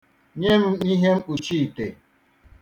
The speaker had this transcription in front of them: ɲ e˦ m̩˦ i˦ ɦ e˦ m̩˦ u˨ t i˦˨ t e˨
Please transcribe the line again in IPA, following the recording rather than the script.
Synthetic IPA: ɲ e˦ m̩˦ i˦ ɦ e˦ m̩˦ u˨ t͡ʃ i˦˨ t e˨